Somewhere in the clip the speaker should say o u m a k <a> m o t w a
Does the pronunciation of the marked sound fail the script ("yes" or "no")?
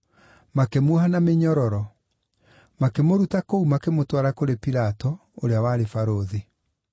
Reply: yes